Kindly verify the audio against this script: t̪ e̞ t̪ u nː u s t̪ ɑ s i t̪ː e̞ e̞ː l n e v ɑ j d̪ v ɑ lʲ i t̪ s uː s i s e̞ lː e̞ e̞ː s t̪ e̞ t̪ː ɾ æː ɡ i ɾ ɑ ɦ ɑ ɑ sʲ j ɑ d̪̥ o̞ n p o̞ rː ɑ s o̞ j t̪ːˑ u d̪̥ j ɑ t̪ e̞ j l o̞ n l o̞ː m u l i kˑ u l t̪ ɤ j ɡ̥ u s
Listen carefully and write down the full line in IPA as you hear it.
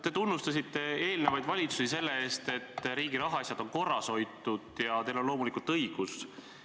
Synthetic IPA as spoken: t̪ e̞ t̪ u nː u s t̪ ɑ s i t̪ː e̞ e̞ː l n e v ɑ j d̪ v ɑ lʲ i t̪ s u s i s e̞ lː e̞ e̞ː s t̪ e̞ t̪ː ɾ iː ɡ i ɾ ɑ ɦ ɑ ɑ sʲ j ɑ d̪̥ o̞ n k o̞ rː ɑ s o̞ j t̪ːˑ u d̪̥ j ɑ t̪ e̞ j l o̞ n l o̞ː m u l i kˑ u l t̪ ɤ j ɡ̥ u s